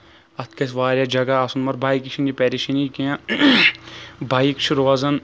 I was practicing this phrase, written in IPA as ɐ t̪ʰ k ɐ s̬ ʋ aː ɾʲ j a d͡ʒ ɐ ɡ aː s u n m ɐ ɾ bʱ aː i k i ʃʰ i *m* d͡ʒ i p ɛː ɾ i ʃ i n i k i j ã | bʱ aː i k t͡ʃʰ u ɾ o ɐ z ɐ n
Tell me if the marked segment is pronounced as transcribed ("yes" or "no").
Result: no